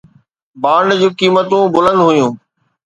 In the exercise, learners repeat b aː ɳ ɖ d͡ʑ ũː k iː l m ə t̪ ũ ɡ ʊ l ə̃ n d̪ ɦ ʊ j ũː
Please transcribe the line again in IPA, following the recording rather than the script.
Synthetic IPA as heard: b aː ɳ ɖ d͡ʑ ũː k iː m ə t̪ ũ b ʊ l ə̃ n d̪ ɦ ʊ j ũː

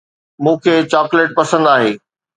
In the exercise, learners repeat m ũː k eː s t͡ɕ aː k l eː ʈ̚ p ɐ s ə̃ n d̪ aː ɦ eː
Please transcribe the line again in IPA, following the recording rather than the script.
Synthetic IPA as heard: m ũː kʰ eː t͡ɕ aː k l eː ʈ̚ p ɐ s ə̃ n d̪ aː ɦ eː

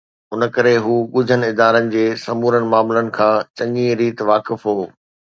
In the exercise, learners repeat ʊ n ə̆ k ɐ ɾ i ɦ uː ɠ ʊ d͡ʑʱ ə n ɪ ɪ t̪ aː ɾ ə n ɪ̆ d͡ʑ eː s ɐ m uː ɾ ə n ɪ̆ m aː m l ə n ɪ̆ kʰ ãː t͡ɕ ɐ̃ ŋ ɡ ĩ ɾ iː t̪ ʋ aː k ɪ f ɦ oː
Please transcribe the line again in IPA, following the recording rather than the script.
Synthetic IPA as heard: ʊ n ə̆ k ɐ ɾ e ɦ uː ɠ ʊ d͡ʑʱ ə n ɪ ɪ d̪ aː ɾ ə n ɪ̆ d͡ʑ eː s ɐ m uː ɾ ə n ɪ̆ m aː m l ə n ɪ̆ kʰ ãː t͡ɕ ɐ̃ ŋ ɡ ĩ ɾ iː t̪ ʋ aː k ɪ f ɦ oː

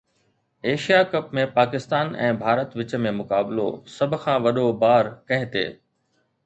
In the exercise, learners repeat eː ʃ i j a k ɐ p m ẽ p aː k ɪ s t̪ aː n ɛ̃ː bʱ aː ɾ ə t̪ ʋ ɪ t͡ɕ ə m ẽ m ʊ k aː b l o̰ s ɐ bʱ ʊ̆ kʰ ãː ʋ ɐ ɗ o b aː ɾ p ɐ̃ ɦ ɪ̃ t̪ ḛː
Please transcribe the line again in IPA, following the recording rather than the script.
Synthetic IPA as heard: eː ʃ i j a k ɐ p m ẽ p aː k ɪ s t̪ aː n ɛ̃ː bʱ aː ɾ ə t̪ ʋ ɪ t͡ɕ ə m ẽ m ʊ k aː b l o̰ s ɐ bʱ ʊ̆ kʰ ãː ʋ ɐ ɗ o b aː ɾ k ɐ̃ ɦ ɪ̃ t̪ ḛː

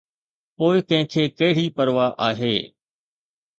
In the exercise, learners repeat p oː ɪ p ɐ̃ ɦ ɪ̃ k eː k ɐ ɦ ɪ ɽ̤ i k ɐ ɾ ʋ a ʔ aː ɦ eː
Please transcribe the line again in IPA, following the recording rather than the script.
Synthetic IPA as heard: p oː ɪ k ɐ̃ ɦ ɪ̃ kʰ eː k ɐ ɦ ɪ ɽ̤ i p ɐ ɾ ʋ a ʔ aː ɦ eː

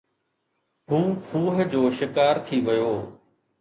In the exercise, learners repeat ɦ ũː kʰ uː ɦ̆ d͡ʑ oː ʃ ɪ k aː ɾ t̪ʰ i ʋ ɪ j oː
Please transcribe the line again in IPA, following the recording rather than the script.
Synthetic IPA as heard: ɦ ũː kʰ uː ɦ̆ d͡ʑ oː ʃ ɪ k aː ɾ t̪ʰ i ʋ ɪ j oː

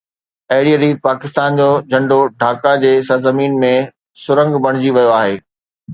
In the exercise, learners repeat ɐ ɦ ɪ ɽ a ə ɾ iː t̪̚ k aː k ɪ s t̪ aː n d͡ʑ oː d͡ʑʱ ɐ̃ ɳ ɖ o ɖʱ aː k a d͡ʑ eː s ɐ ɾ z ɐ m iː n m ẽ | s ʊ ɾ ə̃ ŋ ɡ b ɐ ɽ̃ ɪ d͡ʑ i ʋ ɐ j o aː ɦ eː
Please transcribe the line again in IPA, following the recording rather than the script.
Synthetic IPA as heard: ɐ ɦ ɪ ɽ i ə ɾ iː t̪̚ p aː k ɪ s t̪ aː n d͡ʑ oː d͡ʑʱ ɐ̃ ɳ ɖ o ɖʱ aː k a d͡ʑ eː s ɐ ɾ z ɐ m iː n m ẽ | s ʊ ɾ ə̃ ŋ ɡ b ɐ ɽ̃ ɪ d͡ʑ i ʋ ɐ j o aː ɦ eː

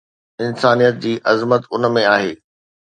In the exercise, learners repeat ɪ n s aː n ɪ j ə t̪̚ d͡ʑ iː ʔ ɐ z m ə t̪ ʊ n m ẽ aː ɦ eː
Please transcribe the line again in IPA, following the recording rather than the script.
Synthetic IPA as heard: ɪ n s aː n i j ə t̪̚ d͡ʑ iː ʔ ɐ z m ə t̪ ʊ n m ẽ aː ɦ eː

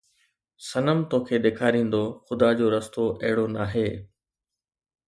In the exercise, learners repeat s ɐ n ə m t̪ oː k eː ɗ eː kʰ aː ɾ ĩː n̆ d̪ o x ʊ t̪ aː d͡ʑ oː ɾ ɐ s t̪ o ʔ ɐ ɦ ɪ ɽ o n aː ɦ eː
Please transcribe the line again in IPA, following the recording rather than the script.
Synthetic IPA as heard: s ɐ n ə m t̪ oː kʰ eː ɗ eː kʰ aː ɾ ĩː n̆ d̪ o x ʊ d̪ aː d͡ʑ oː ɾ ɐ s t̪ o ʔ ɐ ɦ ɪ ɽ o n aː ɦ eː

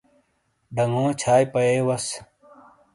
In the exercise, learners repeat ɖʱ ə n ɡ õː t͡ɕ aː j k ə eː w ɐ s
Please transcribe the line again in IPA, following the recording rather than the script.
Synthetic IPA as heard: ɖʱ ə ŋ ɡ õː t͡ɕʰ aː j p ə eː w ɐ s

